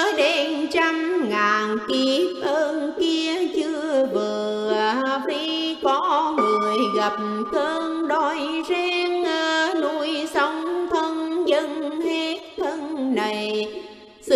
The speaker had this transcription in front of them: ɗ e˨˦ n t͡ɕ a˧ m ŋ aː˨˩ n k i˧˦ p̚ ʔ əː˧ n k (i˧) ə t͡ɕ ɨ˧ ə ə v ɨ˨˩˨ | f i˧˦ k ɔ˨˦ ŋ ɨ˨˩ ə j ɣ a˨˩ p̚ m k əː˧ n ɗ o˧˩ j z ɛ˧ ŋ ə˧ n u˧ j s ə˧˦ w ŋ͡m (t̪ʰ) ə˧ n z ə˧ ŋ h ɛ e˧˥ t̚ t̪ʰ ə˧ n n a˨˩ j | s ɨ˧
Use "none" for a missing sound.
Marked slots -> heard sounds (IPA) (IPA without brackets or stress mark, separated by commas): i˧, t̪ʰ